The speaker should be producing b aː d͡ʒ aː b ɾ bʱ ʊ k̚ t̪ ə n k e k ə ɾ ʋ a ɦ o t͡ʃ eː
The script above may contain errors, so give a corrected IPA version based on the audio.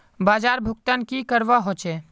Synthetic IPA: b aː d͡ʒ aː ɾ bʱ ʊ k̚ t̪ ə n k i k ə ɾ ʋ a ɦ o t͡ʃ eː

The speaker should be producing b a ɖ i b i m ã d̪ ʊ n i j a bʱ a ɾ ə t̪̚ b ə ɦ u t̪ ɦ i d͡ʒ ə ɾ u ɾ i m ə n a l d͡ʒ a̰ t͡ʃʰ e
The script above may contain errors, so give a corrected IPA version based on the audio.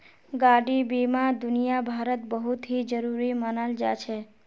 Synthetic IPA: ɡ a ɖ i b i m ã d̪ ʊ n i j a bʱ a ɾ ə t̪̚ b ə ɦ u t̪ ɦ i d͡ʒ ə ɾ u ɾ i m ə n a l d͡ʒ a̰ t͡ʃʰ e

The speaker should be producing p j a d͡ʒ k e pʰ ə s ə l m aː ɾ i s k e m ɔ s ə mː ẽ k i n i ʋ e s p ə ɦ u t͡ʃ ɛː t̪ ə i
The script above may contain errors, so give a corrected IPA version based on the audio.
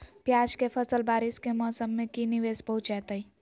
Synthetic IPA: p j a d͡ʒ k e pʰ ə s ə l b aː ɾ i s k e m ɔ s ə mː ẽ k i n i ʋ e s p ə ɦ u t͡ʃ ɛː t̪ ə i

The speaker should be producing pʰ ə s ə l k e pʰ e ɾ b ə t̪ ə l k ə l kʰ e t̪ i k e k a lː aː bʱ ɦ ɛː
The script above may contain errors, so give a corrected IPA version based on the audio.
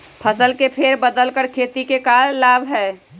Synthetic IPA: pʰ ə s ə l k e pʰ e ɾ b ə d̪ ə l k ə ɾ kʰ e t̪ i k e k a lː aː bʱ ɦ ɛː

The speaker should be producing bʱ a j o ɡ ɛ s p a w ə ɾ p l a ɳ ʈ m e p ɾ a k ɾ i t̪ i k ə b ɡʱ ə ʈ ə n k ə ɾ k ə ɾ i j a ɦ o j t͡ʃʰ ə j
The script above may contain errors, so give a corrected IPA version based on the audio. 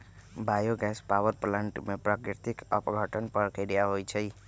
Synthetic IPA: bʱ a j o ɡ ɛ s p a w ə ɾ p l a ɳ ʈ m e p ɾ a k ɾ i t̪ i k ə p ɡʱ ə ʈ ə n p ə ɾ k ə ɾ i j a ɦ o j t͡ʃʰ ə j

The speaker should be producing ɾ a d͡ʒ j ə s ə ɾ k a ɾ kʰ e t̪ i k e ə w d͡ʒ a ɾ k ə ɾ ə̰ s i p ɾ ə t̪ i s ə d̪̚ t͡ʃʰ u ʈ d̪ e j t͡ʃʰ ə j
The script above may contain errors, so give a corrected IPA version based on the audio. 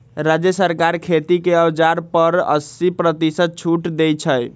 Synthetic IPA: ɾ a d͡ʒ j ə s ə ɾ k a ɾ kʰ e t̪ i k e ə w d͡ʒ a ɾ p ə ɾ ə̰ s i p ɾ ə t̪ i s ə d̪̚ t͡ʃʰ u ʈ d̪ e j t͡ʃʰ ə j

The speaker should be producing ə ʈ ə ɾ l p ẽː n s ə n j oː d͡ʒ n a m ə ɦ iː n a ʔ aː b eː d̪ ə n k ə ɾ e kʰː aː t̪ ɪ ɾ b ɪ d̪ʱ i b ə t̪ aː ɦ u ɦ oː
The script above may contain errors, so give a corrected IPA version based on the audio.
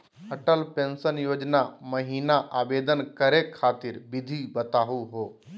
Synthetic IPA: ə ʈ ə l p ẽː n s ə n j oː d͡ʒ n a m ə ɦ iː n a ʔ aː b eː d̪ ə n k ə ɾ e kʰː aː t̪ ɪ ɾ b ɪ d̪ʱ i b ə t̪ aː ɦ u ɦ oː

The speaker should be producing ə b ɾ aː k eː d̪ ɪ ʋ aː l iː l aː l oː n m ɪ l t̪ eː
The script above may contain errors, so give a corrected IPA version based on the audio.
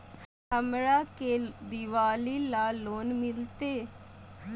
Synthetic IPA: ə m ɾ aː k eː d̪ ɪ ʋ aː l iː l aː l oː n m ɪ l t̪ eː

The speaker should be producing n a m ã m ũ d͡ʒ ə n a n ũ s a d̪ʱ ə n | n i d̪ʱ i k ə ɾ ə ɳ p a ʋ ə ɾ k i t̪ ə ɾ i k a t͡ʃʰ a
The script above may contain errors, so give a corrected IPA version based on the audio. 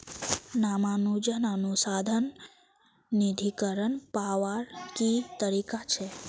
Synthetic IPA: n a m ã n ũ d͡ʒ ə n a n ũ s a d̪ʱ ə n | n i d̪ʱ i k ə ɾ ə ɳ p a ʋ a ɾ k i t̪ ə ɾ i k a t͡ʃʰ e

